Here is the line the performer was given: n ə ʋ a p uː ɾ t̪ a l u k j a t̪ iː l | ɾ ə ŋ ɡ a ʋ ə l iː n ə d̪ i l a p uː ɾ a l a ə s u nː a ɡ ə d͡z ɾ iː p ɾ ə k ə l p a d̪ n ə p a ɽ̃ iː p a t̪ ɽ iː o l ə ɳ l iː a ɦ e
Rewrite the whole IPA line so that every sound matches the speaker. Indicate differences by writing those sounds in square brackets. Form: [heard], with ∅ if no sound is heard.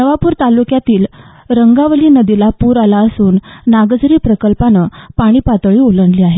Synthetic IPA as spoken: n ə ʋ a p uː ɾ t̪ a l u k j a t̪ iː l | ɾ ə ŋ ɡ a ʋ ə l iː n ə d̪ i l a p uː ɾ a l a ə s [uː] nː a ɡ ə d͡z ɾ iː p ɾ ə k ə l p a [∅] n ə p a ɽ̃ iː p a t̪ [ɭ] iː o l ə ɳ l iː a ɦ e